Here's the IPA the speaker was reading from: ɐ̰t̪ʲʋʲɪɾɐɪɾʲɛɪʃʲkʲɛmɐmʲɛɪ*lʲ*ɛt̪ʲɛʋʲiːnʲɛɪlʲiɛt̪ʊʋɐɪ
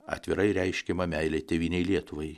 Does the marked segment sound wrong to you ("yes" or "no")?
no